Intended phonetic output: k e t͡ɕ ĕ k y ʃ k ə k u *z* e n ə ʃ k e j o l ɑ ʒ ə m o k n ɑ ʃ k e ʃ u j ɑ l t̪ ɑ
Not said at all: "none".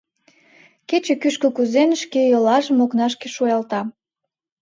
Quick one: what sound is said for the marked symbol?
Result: z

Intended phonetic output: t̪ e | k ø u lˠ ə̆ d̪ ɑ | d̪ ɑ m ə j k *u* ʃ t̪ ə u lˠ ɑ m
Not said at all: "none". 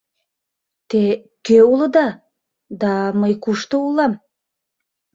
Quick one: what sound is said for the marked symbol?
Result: u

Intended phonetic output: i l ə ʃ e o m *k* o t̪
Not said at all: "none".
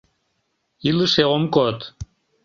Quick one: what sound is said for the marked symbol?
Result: k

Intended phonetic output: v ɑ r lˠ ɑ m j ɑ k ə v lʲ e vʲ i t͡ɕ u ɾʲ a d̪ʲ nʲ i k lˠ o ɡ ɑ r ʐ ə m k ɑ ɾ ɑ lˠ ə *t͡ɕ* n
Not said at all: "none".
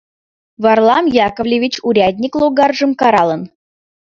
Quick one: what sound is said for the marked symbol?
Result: none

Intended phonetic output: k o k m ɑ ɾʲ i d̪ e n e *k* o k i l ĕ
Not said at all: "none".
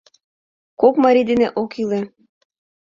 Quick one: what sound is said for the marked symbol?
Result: ʔ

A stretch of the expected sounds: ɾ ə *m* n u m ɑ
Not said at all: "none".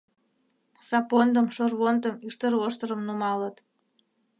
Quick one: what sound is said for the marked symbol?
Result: m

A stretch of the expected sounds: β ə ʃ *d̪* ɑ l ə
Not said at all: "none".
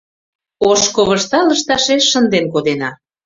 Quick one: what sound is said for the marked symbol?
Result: t̪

